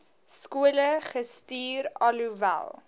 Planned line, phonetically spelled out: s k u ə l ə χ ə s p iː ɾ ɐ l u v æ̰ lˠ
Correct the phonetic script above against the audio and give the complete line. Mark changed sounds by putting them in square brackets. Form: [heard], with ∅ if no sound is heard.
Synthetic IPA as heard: s k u ə l ə χ ə s [t] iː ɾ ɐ l u v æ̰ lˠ